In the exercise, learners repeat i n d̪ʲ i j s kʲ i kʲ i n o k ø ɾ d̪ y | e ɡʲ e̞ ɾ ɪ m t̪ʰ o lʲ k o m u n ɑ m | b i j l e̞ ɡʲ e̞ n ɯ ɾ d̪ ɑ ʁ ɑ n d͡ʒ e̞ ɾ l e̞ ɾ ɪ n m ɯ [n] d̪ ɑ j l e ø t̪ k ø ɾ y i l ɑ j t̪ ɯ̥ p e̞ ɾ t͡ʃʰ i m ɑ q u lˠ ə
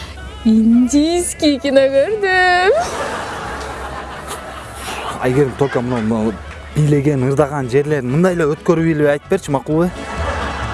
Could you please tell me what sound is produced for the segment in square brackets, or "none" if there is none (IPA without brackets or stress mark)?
n